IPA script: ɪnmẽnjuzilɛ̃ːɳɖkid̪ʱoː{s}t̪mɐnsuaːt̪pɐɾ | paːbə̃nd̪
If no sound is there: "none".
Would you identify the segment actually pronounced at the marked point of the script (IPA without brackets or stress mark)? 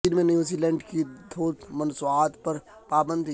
none